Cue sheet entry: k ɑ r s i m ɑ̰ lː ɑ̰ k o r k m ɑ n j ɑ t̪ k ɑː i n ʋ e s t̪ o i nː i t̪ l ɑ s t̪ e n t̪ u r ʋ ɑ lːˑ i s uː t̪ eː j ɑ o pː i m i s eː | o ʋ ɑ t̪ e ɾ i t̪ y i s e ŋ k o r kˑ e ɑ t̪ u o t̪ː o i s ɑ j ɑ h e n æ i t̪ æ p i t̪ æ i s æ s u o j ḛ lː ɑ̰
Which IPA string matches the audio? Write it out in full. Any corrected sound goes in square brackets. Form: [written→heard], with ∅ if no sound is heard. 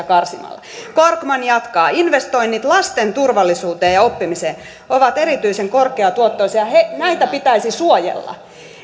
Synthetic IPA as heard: k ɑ r s i m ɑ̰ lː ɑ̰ k o r k m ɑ n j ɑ t̪ k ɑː i n ʋ e s t̪ o i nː i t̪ l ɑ s t̪ e n t̪ u r ʋ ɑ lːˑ i s uː t̪ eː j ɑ o pː i m i s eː | o ʋ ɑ t̪ e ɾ i t̪ y i s e ŋ k o r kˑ e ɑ t̪ u o t̪ː o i s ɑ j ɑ h e n æ i t̪ æ p i t̪ æ i s [æ→i] s u o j ḛ lː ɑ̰